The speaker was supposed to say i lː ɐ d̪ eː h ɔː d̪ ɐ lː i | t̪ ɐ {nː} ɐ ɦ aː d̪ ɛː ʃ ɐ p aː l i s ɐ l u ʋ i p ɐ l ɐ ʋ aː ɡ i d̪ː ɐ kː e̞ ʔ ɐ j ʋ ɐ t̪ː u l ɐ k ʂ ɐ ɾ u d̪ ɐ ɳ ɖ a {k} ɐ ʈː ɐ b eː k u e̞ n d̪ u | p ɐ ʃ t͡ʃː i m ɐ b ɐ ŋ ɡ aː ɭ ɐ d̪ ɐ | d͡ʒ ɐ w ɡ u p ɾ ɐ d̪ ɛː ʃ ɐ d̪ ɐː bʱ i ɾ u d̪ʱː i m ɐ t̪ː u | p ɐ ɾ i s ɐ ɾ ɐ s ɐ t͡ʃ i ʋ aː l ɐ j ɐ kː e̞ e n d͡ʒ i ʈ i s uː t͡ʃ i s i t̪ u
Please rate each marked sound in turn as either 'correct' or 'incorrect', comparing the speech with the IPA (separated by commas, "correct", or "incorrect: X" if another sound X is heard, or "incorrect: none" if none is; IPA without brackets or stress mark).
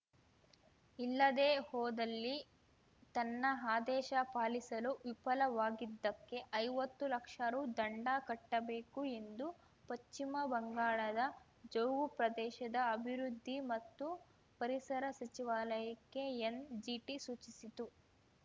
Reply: correct, correct